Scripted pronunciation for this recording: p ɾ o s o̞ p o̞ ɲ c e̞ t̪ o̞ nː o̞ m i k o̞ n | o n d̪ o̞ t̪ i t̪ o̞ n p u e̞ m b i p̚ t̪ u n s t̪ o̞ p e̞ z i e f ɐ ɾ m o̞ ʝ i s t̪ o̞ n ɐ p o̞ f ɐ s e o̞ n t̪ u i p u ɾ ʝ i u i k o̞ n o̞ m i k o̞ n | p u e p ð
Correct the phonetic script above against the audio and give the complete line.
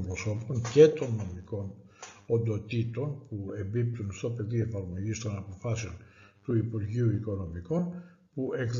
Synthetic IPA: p ɾ o s o̞ p o̞ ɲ c e̞ t̪ o̞ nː o̞ m i k o̞ n | o n d̪ o̞ t̪ i t̪ o̞ n p u e̞ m b i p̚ t̪ u n s t̪ o̞ p e̞ ð i e f ɐ ɾ m o̞ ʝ i s t̪ o̞ n ɐ p o̞ f ɐ s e o̞ n t̪ u i p u ɾ ʝ i u i k o̞ n o̞ m i k o̞ n | p u e k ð